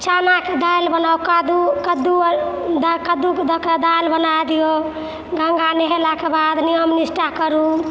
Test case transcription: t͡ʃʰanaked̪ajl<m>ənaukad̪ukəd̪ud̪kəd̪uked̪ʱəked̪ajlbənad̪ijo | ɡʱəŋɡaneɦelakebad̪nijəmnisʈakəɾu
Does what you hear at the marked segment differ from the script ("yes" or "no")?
yes